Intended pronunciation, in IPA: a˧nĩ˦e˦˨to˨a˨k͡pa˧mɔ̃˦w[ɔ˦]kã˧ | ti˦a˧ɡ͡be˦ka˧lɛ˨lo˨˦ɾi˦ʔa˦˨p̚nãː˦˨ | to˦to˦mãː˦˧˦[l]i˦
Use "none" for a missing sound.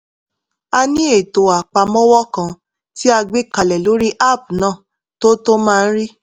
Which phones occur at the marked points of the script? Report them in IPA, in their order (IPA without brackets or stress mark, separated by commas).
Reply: ɔ˦, ɾ